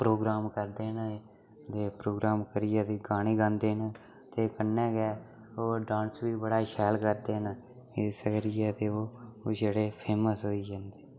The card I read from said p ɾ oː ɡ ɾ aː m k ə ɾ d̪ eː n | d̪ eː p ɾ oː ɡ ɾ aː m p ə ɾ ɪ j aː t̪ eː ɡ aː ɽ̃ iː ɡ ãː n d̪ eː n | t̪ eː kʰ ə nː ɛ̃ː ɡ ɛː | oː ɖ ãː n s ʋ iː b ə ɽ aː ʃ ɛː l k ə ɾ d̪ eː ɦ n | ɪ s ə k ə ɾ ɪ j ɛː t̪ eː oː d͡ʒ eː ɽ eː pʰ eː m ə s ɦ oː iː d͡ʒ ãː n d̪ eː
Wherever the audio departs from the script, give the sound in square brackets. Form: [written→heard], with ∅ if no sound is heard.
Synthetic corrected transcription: p ɾ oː ɡ ɾ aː m k ə ɾ d̪ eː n | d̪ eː p ɾ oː ɡ ɾ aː m [p→k] ə ɾ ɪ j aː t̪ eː ɡ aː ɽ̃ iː ɡ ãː n d̪ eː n | t̪ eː [kʰ→k] ə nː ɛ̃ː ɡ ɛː | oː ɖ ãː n s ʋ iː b ə ɽ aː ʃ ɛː l k ə ɾ d̪ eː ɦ n | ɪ s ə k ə ɾ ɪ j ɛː t̪ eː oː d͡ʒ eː ɽ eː pʰ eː m ə s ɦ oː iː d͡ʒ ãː n d̪ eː